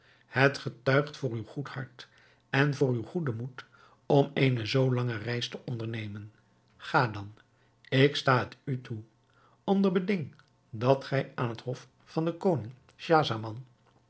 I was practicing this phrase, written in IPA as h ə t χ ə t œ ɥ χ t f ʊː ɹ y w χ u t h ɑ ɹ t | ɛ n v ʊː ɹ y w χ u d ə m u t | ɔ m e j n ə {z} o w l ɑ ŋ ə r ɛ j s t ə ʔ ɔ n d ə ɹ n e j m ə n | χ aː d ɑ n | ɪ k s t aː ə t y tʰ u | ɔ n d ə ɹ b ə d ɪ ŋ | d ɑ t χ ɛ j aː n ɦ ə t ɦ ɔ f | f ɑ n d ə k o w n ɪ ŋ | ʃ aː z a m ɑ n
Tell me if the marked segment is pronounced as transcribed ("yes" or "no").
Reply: yes